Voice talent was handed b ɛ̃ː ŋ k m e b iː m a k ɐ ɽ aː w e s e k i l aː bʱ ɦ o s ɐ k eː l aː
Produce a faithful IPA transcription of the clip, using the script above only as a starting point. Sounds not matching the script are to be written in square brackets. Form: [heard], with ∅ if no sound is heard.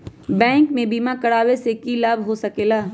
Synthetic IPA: b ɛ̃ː ŋ k m [ẽ] b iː m a k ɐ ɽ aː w e s e k i l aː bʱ ɦ o s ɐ k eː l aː